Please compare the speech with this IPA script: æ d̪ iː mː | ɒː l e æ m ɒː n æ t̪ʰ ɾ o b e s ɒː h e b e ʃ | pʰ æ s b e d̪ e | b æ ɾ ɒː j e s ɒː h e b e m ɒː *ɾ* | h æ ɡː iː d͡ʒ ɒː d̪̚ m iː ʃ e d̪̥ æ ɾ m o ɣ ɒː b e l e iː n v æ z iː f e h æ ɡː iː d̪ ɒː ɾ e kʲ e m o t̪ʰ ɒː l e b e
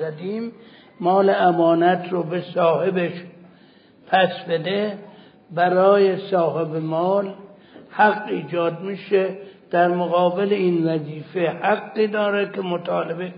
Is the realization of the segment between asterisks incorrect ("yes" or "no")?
yes